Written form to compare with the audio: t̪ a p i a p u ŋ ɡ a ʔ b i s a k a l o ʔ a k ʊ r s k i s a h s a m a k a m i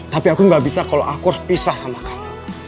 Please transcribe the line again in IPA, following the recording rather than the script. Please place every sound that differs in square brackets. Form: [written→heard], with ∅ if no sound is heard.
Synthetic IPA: t̪ a p i a [p→k] u ŋ ɡ a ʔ b i s a k a l o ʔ a k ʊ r s [k→p] i s a h s a m a k a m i